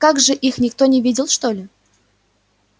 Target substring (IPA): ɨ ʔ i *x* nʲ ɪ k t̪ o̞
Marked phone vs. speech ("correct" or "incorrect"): correct